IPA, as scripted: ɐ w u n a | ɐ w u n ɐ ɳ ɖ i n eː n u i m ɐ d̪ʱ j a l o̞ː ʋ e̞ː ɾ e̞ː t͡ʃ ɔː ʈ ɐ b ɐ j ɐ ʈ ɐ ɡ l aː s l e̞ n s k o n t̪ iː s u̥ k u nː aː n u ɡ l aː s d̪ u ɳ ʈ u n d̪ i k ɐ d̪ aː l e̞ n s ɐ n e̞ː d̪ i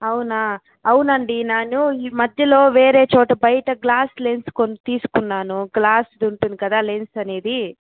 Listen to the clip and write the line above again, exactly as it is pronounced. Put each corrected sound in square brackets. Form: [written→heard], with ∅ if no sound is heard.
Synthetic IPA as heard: ɐ w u n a | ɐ w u n ɐ ɳ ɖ i n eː n u i m ɐ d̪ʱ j [a→ɐ] l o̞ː ʋ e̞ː ɾ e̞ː t͡ʃ ɔː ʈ ɐ b ɐ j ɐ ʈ ɐ ɡ l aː s l e̞ n s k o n t̪ iː s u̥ k u nː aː n u ɡ l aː s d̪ u ɳ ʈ u n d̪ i k ɐ d̪ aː l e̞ n s ɐ n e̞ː d̪ i

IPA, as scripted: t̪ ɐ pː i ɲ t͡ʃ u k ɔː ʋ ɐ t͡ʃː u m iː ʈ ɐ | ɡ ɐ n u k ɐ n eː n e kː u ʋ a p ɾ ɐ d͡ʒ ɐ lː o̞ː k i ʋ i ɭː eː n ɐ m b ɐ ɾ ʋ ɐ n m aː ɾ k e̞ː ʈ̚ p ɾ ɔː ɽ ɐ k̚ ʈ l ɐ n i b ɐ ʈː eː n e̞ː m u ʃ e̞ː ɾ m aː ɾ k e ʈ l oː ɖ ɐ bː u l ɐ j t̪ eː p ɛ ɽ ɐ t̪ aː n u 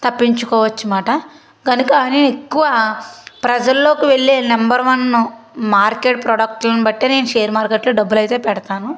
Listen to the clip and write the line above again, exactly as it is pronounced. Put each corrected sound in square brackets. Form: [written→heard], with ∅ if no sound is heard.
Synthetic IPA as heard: t̪ ɐ pː i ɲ t͡ʃ u k ɔː ʋ ɐ t͡ʃː u m [iː→aː] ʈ ɐ | ɡ ɐ n u k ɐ n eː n e kː u ʋ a p ɾ ɐ d͡ʒ ɐ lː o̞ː k i ʋ [i→e] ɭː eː n ɐ m b ɐ ɾ ʋ ɐ n m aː ɾ k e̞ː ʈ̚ p ɾ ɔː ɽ ɐ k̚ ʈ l ɐ n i b ɐ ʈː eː n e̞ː [m→n] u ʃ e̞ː ɾ m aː ɾ k e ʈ l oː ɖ ɐ bː u l ɐ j t̪ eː p ɛ ɽ ɐ t̪ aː n u

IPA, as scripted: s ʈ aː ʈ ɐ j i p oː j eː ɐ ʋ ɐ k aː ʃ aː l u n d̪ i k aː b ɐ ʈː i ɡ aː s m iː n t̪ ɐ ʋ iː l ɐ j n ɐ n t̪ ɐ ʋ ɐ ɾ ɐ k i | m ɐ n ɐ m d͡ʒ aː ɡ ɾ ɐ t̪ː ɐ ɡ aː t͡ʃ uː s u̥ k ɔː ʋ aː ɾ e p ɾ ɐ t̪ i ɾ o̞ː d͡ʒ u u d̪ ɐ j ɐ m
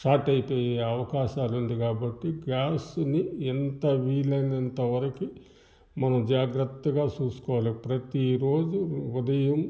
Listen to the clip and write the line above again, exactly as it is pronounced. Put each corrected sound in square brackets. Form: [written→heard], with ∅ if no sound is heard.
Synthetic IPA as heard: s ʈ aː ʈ ɐ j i p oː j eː ɐ ʋ ɐ k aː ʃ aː l u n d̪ i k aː b ɐ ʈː i ɡ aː s [m→n] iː n t̪ ɐ ʋ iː l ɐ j n ɐ n t̪ ɐ ʋ ɐ ɾ ɐ k i | m ɐ n ɐ m d͡ʒ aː ɡ ɾ ɐ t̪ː ɐ ɡ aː t͡ʃ uː s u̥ k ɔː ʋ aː [ɾ→l] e p ɾ ɐ t̪ i ɾ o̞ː d͡ʒ u u d̪ ɐ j ɐ m

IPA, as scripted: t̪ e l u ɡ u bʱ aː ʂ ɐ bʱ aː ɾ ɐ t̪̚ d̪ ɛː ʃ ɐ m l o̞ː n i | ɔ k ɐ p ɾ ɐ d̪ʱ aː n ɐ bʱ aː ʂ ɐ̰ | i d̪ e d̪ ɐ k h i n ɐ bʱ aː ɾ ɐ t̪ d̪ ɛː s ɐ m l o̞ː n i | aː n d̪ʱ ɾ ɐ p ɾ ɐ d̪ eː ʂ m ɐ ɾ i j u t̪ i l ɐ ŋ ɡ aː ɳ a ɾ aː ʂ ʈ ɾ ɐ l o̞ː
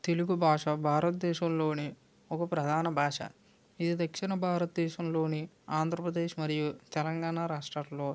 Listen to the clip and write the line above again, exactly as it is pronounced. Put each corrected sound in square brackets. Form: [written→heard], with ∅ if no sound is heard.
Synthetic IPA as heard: t̪ e l u ɡ u bʱ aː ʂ ɐ bʱ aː ɾ ɐ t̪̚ d̪ ɛː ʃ ɐ m l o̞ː n i | ɔ k ɐ p ɾ ɐ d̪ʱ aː n ɐ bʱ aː ʂ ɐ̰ | i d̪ [e→i] d̪ ɐ k [h→ʂ] i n ɐ bʱ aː ɾ ɐ t̪ d̪ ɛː [s→ʃ] ɐ m l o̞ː n i | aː n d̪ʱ ɾ ɐ p ɾ ɐ d̪ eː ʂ m ɐ ɾ i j u t̪ [i→ɛ] l ɐ ŋ ɡ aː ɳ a ɾ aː ʂ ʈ ɾ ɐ l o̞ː

